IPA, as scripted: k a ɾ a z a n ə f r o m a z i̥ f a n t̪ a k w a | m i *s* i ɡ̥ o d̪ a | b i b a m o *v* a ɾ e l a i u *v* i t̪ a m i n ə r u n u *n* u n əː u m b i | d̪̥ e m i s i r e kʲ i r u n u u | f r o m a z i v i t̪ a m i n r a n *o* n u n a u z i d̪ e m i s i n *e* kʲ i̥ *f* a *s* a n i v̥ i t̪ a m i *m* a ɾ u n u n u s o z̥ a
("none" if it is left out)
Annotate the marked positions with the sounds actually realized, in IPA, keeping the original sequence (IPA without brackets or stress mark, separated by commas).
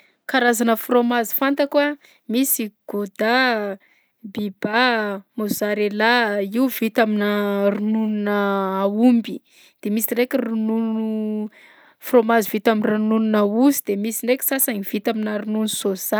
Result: s, z, v, n, u, e, s, s, n